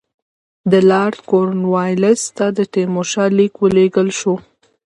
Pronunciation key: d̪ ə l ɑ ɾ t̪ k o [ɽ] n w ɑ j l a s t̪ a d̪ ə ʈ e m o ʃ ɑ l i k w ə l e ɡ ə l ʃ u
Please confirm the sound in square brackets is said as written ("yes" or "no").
no